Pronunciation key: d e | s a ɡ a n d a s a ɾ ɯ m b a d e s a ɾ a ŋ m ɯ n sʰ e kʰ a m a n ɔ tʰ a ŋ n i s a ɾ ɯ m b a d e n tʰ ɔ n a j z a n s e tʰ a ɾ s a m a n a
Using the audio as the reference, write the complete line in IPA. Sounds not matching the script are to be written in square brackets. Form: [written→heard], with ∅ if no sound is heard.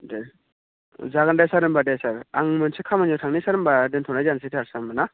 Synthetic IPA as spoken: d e | [s→z] a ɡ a n d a s a ɾ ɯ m b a d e s a ɾ a ŋ m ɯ n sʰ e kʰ a m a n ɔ tʰ a ŋ n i s a ɾ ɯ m b a d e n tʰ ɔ n a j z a n s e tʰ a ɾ s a m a n a